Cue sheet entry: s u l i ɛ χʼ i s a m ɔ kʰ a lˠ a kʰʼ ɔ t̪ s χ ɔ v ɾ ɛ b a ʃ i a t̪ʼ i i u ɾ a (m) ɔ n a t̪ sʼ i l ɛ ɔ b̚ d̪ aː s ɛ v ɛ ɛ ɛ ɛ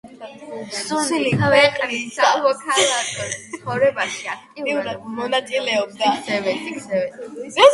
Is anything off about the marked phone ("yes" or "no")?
no